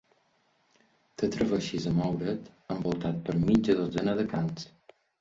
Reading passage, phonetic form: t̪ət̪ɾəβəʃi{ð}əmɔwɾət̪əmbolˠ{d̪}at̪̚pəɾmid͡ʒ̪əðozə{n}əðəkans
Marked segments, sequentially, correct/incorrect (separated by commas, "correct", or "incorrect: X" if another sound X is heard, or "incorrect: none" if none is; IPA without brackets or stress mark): incorrect: z, incorrect: t̪, correct